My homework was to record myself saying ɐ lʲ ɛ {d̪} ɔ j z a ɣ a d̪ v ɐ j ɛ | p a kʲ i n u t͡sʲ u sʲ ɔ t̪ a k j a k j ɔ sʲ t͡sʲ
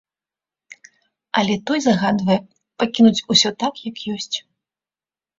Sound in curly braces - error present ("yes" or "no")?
yes